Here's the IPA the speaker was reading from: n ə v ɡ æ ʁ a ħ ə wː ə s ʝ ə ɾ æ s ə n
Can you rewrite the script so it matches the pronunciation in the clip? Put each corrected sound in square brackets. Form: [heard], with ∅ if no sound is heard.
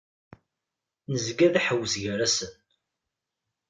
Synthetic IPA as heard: n ə [z] ɡ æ [ð] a ħ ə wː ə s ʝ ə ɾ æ s ə n